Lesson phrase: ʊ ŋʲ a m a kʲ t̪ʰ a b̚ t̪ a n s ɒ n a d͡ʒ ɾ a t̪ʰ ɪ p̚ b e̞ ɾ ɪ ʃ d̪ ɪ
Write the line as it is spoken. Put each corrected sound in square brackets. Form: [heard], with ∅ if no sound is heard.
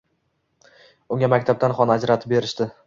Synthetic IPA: ʊ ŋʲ a m a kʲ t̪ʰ a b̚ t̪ a n [χ] ɒ n a d͡ʒ ɾ a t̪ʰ ɪ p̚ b e̞ ɾ ɪ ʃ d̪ ɪ